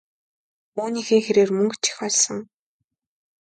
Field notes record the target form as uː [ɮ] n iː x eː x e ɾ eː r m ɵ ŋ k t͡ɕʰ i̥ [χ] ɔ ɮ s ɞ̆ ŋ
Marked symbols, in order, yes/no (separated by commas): no, no